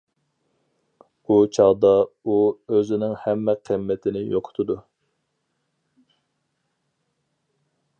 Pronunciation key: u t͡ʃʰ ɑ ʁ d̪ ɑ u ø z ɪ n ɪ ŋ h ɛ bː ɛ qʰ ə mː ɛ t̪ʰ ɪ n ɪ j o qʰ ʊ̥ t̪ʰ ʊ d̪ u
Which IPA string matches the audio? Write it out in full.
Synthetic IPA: u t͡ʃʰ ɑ ʁ d̪ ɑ u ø z ɪ n ɪ ŋ h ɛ mː ɛ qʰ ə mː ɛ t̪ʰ ɪ n ɪ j o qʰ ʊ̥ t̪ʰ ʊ d̪ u